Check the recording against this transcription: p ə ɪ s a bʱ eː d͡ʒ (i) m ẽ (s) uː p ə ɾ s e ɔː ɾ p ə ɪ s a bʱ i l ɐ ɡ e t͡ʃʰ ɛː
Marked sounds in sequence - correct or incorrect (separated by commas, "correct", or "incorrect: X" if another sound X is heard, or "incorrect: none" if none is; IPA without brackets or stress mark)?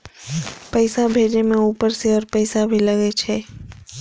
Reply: incorrect: e, incorrect: none